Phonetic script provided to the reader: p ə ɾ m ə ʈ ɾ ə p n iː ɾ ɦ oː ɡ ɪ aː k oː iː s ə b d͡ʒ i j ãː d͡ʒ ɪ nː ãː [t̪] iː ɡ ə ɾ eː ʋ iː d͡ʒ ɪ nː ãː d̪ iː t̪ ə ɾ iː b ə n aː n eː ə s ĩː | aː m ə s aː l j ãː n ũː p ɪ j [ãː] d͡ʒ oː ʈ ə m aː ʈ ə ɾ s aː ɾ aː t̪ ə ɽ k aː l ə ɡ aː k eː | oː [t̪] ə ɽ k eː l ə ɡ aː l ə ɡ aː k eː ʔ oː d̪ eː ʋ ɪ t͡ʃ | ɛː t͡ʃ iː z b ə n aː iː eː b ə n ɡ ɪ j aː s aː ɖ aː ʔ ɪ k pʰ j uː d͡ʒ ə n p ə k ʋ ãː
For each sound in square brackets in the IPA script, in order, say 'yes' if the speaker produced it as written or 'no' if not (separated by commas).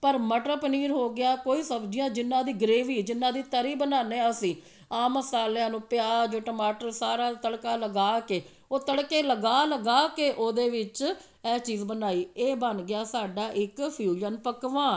no, no, yes